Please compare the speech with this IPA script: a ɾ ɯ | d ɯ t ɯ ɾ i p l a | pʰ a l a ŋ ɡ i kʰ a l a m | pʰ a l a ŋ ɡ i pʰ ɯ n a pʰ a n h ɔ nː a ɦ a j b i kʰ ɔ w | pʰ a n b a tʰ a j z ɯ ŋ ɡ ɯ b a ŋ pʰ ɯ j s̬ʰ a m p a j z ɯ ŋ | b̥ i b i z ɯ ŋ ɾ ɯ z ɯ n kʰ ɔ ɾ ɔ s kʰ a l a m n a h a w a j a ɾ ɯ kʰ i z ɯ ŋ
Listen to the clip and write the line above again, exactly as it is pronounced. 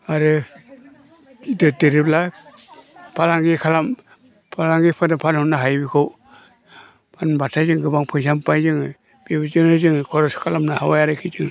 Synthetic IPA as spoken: a ɾ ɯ | d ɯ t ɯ ɾ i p l a | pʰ a l a ŋ ɡ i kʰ a l a m | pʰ a l a ŋ ɡ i pʰ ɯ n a pʰ a n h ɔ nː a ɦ a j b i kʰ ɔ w | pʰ a n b a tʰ a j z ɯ ŋ ɡ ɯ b a ŋ pʰ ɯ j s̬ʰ a m p a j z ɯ ŋ | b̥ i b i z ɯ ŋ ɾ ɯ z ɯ ŋ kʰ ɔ ɾ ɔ s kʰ a l a m n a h a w a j a ɾ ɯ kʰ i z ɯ ŋ